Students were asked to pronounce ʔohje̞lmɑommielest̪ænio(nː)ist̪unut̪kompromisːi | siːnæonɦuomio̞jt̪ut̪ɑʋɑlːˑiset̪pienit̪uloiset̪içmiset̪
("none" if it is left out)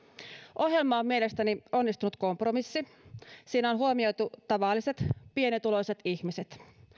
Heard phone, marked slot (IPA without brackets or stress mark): nː